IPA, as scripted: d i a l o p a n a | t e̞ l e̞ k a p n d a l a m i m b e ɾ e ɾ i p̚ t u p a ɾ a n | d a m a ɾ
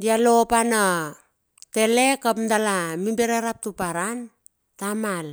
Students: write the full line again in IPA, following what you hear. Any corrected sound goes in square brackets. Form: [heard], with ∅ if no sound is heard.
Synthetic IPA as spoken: d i a l o p a n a | t e̞ l e̞ k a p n d a l a m i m b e ɾ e ɾ [a] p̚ t u p a ɾ a n | [t] a m a [l]